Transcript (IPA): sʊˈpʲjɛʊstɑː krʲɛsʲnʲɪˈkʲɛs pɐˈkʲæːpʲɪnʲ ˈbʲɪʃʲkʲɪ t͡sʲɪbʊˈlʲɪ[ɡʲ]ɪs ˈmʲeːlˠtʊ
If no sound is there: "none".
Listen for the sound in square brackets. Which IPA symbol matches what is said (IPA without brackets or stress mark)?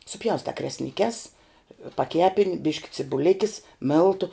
kʲ